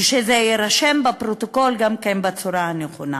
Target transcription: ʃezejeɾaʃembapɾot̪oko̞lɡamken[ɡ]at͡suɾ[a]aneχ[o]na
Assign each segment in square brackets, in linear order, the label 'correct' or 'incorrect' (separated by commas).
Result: incorrect, correct, correct